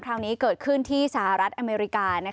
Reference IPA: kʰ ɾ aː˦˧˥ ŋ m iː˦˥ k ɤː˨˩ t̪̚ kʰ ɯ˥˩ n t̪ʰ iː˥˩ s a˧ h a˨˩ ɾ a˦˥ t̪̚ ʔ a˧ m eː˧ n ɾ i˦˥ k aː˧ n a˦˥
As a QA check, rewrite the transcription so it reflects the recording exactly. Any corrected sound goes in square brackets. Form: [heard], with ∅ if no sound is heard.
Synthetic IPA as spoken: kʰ ɾ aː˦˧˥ ŋ [n] iː˦˥ k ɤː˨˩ t̪̚ kʰ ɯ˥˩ n t̪ʰ iː˥˩ s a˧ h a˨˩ ɾ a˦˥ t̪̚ ʔ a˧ m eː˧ [∅] ɾ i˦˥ k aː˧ n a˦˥